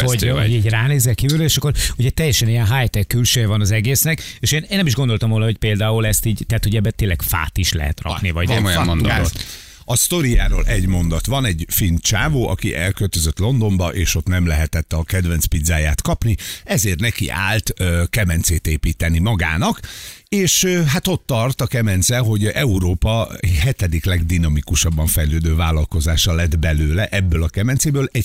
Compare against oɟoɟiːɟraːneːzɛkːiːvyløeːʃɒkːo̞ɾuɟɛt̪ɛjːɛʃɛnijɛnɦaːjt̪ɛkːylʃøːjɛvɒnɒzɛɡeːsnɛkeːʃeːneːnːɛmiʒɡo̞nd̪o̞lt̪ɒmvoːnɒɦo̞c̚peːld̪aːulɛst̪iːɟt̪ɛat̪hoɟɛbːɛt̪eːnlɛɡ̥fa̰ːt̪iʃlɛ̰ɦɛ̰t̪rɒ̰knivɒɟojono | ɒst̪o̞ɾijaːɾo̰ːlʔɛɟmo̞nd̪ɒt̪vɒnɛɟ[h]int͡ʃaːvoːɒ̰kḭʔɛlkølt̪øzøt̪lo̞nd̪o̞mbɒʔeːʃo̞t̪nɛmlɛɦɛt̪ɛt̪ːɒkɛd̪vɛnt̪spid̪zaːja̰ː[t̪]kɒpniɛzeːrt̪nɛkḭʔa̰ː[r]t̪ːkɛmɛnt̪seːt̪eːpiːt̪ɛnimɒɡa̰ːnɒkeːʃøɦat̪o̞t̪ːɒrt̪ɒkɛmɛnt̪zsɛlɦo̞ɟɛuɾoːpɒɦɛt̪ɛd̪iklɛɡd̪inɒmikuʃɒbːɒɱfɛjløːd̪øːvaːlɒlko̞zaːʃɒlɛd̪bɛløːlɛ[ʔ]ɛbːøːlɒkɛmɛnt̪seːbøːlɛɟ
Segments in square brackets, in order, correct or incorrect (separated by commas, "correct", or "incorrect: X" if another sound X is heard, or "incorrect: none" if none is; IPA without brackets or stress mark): incorrect: f, correct, incorrect: l, correct